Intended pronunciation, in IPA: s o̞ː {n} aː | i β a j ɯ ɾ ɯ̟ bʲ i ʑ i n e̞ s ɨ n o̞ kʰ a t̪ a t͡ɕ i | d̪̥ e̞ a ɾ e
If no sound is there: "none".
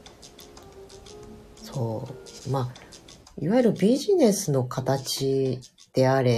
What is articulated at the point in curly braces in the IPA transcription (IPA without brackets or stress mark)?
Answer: m